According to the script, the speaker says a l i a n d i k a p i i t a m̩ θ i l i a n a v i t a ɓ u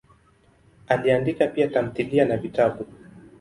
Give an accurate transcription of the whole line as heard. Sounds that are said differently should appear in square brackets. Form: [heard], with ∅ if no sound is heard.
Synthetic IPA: a l i a n d i k a p i [a] t a m̩ θ i l i a n a v i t a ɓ u